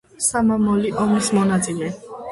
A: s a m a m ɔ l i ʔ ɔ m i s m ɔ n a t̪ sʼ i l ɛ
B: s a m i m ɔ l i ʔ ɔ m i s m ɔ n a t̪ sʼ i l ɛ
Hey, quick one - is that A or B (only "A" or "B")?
A